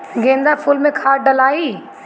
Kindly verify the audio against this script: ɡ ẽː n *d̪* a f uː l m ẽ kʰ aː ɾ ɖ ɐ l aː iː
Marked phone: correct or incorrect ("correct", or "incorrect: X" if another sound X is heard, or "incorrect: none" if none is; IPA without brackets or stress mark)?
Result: correct